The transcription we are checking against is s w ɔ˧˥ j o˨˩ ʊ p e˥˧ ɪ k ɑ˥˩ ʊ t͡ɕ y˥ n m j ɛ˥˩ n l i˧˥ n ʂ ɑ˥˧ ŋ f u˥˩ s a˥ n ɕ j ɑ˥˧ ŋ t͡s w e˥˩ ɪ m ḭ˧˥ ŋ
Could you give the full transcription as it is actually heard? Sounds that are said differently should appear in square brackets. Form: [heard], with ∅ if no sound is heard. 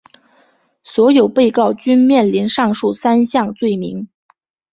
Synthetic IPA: s w ɔ˧˥ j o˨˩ ʊ p e˥˧ ɪ k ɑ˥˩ ʊ t͡ɕ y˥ n m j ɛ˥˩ n l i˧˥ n ʂ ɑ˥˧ ŋ [ʂ] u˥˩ s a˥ n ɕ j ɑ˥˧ ŋ t͡s w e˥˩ ɪ m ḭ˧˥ ŋ